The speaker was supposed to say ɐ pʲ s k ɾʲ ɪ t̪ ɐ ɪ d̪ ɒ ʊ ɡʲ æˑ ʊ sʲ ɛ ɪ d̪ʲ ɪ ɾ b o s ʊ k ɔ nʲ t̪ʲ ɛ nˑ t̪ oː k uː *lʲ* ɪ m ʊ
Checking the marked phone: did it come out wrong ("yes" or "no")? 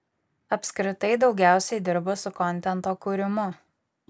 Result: yes